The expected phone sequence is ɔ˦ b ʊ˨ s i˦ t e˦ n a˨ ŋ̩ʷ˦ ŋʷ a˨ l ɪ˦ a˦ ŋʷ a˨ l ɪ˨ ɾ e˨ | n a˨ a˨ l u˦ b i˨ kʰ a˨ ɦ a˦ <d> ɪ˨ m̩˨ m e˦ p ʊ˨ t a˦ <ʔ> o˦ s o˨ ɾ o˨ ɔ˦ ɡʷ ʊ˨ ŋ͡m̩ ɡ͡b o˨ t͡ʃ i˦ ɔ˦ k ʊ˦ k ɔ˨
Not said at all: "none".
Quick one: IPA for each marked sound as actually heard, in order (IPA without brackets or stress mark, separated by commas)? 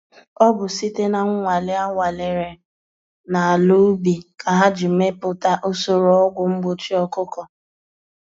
d͡ʒ, ʔ